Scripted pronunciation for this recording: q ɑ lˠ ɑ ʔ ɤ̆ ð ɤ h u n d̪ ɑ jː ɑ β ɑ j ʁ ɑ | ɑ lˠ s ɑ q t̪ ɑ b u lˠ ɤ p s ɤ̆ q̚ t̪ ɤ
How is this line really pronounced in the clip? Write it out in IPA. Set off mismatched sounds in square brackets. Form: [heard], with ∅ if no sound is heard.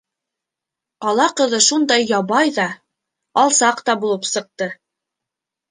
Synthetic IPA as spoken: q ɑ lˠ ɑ [q] ɤ̆ ð ɤ [ʃ] u n d̪ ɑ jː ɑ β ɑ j [ð] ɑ | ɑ lˠ s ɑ q t̪ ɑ b u lˠ ɤ p s ɤ̆ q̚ t̪ ɤ